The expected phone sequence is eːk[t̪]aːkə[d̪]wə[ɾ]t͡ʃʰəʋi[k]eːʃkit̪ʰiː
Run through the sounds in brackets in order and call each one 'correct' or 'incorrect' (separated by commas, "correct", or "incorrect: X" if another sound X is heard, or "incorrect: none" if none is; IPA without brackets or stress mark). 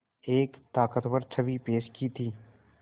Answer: correct, incorrect: t̪, correct, incorrect: p